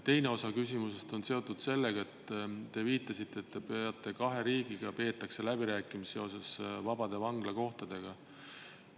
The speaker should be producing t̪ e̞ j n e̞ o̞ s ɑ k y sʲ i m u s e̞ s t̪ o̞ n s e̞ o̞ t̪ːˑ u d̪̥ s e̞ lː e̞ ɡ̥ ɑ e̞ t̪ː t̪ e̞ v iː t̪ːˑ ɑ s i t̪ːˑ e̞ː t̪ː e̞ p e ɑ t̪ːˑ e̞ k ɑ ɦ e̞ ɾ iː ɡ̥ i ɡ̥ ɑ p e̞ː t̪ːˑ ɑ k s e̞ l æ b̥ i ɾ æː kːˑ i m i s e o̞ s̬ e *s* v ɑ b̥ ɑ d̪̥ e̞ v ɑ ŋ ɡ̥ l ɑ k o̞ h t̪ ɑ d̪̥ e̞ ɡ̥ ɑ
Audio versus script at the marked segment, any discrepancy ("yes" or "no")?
no